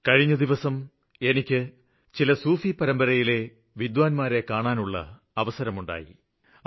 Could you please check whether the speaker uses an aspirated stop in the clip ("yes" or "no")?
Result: no